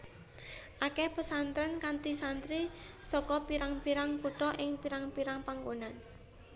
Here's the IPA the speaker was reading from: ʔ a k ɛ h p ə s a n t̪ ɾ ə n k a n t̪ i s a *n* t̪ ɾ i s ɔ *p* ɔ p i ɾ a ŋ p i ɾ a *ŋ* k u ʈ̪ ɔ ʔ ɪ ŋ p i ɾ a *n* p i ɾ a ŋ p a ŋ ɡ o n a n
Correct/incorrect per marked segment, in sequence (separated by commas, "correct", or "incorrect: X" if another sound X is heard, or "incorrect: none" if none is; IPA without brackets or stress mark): correct, incorrect: k, correct, incorrect: ŋ